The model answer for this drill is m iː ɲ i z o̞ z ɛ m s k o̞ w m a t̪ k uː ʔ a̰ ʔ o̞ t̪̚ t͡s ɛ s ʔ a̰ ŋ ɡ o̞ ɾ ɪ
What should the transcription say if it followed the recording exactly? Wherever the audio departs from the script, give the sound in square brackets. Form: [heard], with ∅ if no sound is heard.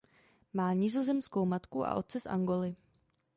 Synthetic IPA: m [aː] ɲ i z o̞ z ɛ m s k o̞ w m a t̪ k [u] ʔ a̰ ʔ o̞ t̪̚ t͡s ɛ s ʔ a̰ ŋ ɡ o̞ [l] ɪ